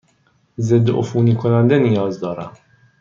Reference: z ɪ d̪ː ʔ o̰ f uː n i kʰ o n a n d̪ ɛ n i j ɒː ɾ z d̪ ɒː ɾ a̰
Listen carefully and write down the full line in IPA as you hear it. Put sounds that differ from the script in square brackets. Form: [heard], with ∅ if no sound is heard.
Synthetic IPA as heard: z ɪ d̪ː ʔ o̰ f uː n i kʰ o n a n d̪ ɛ n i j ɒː [∅] z d̪ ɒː ɾ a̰